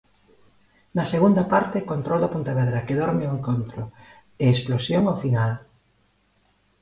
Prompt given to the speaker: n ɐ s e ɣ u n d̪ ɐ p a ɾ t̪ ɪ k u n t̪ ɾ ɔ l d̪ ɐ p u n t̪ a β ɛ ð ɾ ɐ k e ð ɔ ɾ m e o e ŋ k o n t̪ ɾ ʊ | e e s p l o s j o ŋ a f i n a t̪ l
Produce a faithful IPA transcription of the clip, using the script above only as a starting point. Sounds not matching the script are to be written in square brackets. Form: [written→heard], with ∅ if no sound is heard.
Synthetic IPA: n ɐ s e ɣ u n d̪ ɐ p a ɾ t̪ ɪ k [u→o] n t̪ ɾ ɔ l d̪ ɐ p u n t̪ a β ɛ ð ɾ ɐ k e ð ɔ ɾ m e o e ŋ k o n t̪ ɾ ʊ | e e s p l o s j o ŋ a f i n a [t̪→∅] l

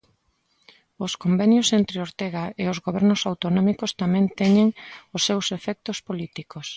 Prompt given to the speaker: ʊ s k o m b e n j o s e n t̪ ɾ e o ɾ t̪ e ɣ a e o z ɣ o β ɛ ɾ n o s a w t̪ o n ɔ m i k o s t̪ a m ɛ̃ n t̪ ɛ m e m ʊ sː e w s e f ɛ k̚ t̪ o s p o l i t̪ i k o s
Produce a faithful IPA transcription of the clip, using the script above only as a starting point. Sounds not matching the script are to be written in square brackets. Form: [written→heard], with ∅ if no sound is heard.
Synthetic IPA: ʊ s k o m b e n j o s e n t̪ ɾ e o ɾ t̪ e ɣ a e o z ɣ o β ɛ ɾ n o s a w t̪ o n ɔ m i k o s t̪ a m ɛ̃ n t̪ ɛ [m→ɲ] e [m→ŋ] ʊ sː e w s e f ɛ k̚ t̪ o s p o l i t̪ i k o s

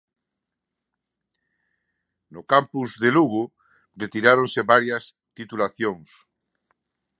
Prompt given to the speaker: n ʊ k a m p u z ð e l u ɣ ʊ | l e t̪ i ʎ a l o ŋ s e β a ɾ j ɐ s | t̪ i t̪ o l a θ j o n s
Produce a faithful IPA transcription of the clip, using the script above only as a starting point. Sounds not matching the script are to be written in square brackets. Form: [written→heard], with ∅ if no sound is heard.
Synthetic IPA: n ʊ k a m p u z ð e l u ɣ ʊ | [l→r] e t̪ i [ʎ→ɾ] a [l→ɾ] o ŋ s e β a ɾ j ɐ s | t̪ i t̪ [o→u] l a θ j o [n→ŋ] s

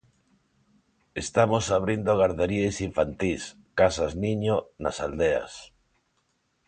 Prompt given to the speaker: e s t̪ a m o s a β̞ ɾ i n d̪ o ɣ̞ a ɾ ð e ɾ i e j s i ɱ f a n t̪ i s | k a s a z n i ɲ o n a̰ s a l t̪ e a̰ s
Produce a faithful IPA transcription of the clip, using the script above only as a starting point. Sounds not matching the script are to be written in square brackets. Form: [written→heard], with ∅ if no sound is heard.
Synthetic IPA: e s t̪ a m o s a β̞ ɾ i n d̪ o ɣ̞ a ɾ ð e ɾ i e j s i ɱ f a n t̪ i s | k a s a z n i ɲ o n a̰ s a l [t̪→d̪] e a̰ s

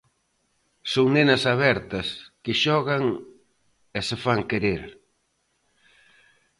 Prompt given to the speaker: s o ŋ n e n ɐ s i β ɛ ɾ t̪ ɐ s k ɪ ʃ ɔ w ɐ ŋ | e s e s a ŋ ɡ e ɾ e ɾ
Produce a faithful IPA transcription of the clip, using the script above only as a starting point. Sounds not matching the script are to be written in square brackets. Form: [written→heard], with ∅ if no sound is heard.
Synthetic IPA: s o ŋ n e n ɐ s [i→a] β ɛ ɾ t̪ ɐ s k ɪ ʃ ɔ [w→ɣ] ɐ ŋ | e s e [s→f] a ŋ [ɡ→k] e ɾ e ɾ

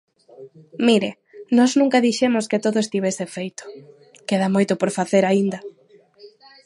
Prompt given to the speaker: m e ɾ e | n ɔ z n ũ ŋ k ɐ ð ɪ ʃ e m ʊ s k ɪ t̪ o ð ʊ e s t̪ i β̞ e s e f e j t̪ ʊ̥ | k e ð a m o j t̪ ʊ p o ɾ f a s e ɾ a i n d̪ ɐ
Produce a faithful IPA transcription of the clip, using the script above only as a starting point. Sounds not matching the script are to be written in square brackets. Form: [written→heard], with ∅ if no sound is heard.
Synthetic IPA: m [e→i] ɾ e | n ɔ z n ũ ŋ k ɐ ð [ɪ→i] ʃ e m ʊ s k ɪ t̪ o ð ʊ e s t̪ i β̞ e s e f e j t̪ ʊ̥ | k e ð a m o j t̪ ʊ p o ɾ f a [s→θ] e ɾ a i n d̪ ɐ

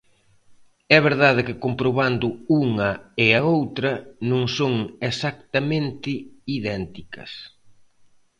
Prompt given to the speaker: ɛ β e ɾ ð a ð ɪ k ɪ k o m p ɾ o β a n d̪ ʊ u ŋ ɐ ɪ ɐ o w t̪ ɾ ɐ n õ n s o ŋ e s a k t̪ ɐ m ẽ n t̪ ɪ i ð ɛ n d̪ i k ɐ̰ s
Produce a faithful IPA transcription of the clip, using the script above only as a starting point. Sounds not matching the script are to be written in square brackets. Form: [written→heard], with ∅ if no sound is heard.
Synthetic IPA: ɛ β e ɾ ð a ð ɪ k ɪ k o m p ɾ o β a n d̪ ʊ u ŋ ɐ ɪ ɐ o w t̪ ɾ ɐ n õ [n→ŋ] s o ŋ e s a k t̪ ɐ m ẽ n t̪ ɪ i ð ɛ n [d̪→t̪] i k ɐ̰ s

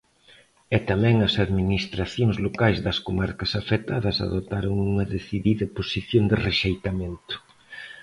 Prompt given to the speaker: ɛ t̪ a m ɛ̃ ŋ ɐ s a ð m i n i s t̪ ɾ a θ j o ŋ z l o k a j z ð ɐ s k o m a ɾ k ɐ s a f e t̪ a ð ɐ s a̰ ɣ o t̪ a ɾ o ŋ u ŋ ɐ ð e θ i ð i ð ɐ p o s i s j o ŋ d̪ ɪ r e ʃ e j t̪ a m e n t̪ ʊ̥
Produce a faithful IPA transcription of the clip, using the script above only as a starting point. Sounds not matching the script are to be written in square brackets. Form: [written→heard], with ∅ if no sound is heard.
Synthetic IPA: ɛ t̪ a m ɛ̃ ŋ ɐ s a ð m i n i s t̪ ɾ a θ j o ŋ z l o k a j z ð ɐ s k o m a ɾ k ɐ s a f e t̪ a ð ɐ s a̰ [ɣ→ð] o t̪ a ɾ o ŋ u ŋ ɐ ð e θ i ð i ð ɐ p o s i [s→θ] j o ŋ d̪ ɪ r e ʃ e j t̪ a m e n t̪ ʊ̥

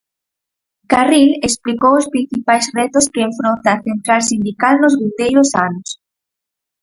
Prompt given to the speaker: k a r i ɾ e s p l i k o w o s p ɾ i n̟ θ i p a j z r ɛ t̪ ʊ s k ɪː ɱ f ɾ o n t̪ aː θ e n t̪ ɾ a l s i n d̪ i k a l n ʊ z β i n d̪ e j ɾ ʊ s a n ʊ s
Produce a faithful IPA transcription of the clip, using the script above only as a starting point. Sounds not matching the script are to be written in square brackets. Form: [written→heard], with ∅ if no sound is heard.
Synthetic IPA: k a r i [ɾ→l] e s p l i k o w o s p ɾ i n̟ θ i p a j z r ɛ t̪ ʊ s k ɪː ɱ f ɾ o n t̪ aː θ e n t̪ ɾ a l s i n d̪ i k a l n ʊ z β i n d̪ e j ɾ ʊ s a n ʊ s

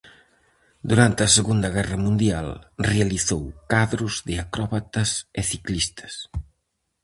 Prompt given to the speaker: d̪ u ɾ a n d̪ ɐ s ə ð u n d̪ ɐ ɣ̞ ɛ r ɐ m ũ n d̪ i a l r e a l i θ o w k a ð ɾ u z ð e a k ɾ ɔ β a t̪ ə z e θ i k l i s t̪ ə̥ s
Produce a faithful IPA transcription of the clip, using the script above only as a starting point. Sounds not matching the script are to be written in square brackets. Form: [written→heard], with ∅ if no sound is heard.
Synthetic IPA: d̪ u ɾ a n [d̪→t̪] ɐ s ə [ð→ɣ] u n d̪ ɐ ɣ̞ ɛ r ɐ m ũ n d̪ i a l r e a l i θ o w k a ð ɾ u z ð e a k ɾ ɔ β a t̪ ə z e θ i k l i s t̪ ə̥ s

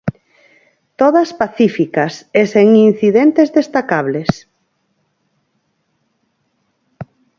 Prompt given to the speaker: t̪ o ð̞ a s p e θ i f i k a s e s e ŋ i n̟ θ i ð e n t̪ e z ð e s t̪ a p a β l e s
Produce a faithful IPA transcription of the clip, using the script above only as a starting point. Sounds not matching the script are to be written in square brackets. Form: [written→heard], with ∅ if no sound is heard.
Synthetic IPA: t̪ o ð̞ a s p [e→a] θ i f i k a s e s e ŋ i n̟ θ i ð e n t̪ e z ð e s t̪ a [p→k] a β l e s

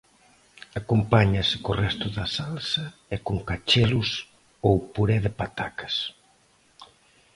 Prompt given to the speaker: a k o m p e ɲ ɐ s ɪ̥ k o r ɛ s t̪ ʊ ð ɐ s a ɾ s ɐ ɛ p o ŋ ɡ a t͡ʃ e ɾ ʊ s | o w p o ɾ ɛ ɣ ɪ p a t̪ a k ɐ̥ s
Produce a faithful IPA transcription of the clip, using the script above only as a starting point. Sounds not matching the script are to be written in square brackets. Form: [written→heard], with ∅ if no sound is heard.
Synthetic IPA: a k o m p [e→a] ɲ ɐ s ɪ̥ k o r ɛ s t̪ ʊ ð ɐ s a [ɾ→l] s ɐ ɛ [p→k] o ŋ [ɡ→k] a t͡ʃ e [ɾ→l] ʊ s | o w p [o→u] ɾ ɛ [ɣ→ð] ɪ p a t̪ a k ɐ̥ s

